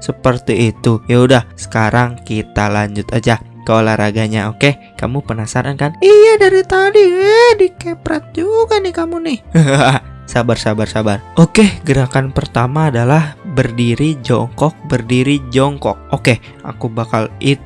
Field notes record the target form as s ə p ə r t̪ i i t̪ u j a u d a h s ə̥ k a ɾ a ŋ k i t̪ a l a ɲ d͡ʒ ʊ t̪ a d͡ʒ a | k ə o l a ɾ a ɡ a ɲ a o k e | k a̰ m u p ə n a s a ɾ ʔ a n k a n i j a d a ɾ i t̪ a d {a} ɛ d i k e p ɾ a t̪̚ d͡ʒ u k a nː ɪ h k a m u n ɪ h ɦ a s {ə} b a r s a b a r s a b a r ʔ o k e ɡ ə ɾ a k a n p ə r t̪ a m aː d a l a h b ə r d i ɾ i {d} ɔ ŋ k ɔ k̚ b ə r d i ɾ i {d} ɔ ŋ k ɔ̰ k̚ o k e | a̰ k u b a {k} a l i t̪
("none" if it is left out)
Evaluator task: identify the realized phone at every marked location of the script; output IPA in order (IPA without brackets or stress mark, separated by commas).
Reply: i, a, d͡ʒ, d͡ʒ, k